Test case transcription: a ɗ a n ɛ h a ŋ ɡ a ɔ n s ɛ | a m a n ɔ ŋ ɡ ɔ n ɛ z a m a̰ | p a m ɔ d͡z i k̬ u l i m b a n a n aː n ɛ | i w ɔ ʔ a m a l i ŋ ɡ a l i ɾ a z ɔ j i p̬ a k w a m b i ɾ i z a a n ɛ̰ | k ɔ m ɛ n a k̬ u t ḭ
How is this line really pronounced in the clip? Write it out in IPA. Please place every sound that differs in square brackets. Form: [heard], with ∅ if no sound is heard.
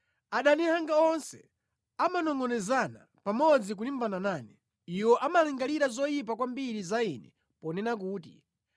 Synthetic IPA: a ɗ a n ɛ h a ŋ ɡ a ɔ n s ɛ | a m a n ɔ ŋ ɡ ɔ n ɛ z a [n] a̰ | p a m ɔ d͡z i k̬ u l i m b a n a n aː n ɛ | i w ɔ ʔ a m a l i ŋ ɡ a l i ɾ a z ɔ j i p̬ a k w a m b i ɾ i z a [i] n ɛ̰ | [p] ɔ [n] ɛ n a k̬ [uː] t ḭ

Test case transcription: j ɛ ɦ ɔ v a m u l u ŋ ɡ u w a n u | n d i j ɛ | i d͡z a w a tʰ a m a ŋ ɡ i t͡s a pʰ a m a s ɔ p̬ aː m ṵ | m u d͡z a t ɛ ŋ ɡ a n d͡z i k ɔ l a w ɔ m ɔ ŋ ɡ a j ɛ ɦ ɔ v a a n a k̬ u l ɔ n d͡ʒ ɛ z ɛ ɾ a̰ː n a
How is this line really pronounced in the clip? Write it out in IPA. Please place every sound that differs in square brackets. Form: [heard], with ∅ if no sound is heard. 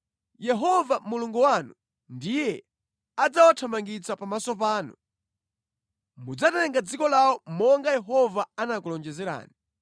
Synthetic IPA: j ɛ ɦ ɔ v a m u l u ŋ ɡ u w a n u | n d i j ɛ | [a] d͡z a w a tʰ a m a ŋ ɡ i t͡s a [p] a m a s ɔ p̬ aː [n] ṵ | m u d͡z a t ɛ ŋ ɡ a [∅] d͡z i k ɔ l a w ɔ m ɔ ŋ ɡ a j ɛ ɦ ɔ v a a n a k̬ u l ɔ n d͡ʒ ɛ z ɛ ɾ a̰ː n [i]

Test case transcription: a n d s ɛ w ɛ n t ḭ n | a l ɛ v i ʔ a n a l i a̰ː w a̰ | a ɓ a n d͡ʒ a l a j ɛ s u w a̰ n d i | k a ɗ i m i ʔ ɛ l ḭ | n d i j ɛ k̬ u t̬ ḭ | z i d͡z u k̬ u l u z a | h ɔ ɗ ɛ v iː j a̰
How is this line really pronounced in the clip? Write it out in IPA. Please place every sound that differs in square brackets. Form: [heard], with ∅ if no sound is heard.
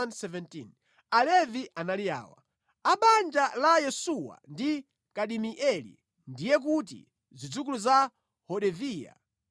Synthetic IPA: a n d s ɛ [v] ɛ n t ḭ n | a l ɛ v i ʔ a n a l i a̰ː w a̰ | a ɓ a n d͡ʒ a l a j ɛ s u w a̰ n d i | k a ɗ i m i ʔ ɛ l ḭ | n d i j ɛ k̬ u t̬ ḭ | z i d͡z u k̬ u l u z a | h ɔ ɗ ɛ v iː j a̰

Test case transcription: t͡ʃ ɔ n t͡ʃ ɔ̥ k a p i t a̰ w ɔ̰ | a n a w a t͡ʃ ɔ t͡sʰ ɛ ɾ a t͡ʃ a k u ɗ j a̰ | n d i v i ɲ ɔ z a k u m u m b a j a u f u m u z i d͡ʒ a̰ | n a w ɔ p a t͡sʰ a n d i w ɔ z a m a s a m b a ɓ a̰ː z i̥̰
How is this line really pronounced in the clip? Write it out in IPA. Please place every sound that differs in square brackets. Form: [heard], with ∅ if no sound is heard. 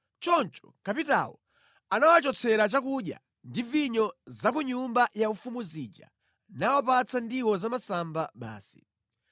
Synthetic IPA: t͡ʃ ɔ n t͡ʃ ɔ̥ k a p i t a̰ w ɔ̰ | a n a w a t͡ʃ ɔ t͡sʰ ɛ ɾ a t͡ʃ a k u ɗ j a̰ | n d i v i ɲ ɔ z a k u [ɲ] u m b a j a u f u m u z i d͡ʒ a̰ | n a w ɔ p a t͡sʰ a n d i w ɔ z a m a s a m b a ɓ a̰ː [s] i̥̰

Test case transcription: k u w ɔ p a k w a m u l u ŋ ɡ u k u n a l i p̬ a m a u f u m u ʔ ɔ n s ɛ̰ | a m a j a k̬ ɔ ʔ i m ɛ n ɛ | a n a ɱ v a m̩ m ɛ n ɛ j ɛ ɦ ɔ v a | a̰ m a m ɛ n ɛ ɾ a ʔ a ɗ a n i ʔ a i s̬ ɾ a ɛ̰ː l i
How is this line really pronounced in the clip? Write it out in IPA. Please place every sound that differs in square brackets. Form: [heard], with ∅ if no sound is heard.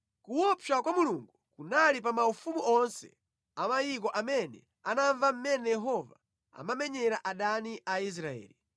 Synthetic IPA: k u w ɔ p a k w a m u l u ŋ ɡ u k u n a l i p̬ a m a u f u m u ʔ ɔ n s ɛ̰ | a m a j [i] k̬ ɔ ʔ [a] m ɛ n ɛ | a n a ɱ v a m̩ m ɛ n ɛ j ɛ ɦ ɔ v a | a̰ m a m ɛ [ɲ] ɛ ɾ a ʔ a ɗ a n i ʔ a i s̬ ɾ a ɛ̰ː l i

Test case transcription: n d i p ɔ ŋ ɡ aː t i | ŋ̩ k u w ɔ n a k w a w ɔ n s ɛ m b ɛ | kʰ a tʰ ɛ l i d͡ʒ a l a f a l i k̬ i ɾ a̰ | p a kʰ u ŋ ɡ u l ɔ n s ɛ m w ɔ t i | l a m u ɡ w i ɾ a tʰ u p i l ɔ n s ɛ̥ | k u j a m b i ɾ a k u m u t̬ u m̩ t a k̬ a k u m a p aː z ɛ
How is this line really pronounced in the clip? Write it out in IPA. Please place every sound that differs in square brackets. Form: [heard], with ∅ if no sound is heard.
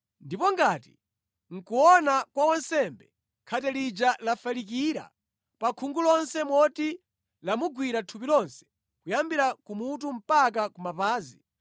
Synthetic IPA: n d i p ɔ ŋ ɡ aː t i | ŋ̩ k u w ɔ n a k w a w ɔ n s ɛ m b ɛ | kʰ a [t] ɛ l i d͡ʒ a l a f a l i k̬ i ɾ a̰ | p a kʰ u ŋ ɡ u l ɔ n s ɛ m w ɔ t i | l a m u ɡ w i ɾ a tʰ u p i l ɔ n s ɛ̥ | k u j a m b i ɾ a k u m u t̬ u m̩ [p] a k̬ a k u m a p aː z [i]

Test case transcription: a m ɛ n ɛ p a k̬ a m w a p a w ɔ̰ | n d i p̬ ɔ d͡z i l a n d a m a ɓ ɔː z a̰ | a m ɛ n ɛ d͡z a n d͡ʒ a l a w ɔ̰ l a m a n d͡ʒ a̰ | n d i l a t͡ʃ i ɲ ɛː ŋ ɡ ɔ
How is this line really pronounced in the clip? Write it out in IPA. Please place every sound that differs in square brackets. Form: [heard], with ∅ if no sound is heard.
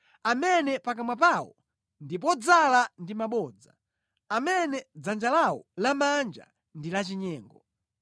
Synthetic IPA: a m ɛ n ɛ p a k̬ a m w a p a w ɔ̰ | n d i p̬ ɔ d͡z [a] l a n d [i] m a ɓ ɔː [d͡z] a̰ | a m ɛ n ɛ d͡z a n d͡ʒ a l a w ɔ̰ l a m a n d͡ʒ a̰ | n d i l a t͡ʃ i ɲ ɛː ŋ ɡ ɔ

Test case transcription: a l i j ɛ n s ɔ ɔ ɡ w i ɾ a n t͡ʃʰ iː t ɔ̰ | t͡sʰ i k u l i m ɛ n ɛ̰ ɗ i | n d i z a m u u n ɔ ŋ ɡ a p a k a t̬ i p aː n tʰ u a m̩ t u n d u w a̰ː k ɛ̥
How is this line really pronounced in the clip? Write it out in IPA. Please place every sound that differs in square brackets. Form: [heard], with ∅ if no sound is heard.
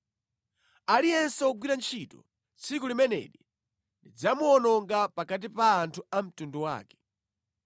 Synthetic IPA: a l i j ɛ n s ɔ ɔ ɡ w i ɾ a n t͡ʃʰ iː t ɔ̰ | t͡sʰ i k u l i m ɛ n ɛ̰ ɗ i | n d i [d͡z] a m u [ɔ] n ɔ ŋ ɡ a p a k a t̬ i p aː n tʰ u a m̩ t u n d u w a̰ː k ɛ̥

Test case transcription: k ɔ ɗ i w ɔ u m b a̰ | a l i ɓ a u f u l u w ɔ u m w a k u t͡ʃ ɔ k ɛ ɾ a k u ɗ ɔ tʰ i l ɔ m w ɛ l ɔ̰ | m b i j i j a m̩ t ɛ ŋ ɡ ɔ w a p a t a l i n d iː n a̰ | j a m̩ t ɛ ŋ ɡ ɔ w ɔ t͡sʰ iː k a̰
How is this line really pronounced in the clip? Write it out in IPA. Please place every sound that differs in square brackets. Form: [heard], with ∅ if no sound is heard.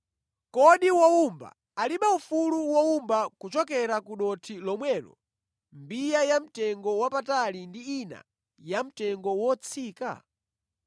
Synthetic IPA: k ɔ ɗ i w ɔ u m b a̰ | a l i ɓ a u f u l u w ɔ u m [b] a k u t͡ʃ ɔ k ɛ ɾ a k u ɗ ɔ tʰ i l ɔ m w ɛ l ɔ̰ | m b i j [a] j a m̩ t ɛ ŋ ɡ ɔ w a p a t a l i n d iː n a̰ | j a m̩ t ɛ ŋ ɡ ɔ w ɔ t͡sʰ iː k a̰

